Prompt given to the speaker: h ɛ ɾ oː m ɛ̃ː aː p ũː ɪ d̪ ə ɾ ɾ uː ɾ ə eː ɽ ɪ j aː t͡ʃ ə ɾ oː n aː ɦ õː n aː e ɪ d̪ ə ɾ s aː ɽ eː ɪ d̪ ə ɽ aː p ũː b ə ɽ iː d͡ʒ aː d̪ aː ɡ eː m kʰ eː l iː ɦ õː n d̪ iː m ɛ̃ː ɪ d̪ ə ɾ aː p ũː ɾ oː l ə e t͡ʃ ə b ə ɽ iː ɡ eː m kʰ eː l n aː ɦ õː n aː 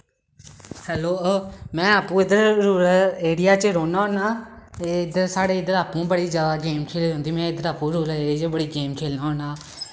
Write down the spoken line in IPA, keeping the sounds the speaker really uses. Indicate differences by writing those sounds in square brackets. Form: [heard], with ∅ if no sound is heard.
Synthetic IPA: h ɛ [l] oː m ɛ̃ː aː p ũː ɪ d̪ ə ɾ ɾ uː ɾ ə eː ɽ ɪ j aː t͡ʃ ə ɾ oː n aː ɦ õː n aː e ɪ d̪ ə ɾ s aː ɽ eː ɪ d̪ ə [ɾ] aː p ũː b ə ɽ iː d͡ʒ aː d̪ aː ɡ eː m kʰ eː l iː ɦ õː n d̪ iː m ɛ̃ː ɪ d̪ ə ɾ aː p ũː ɾ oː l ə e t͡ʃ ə b ə ɽ iː ɡ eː m kʰ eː l n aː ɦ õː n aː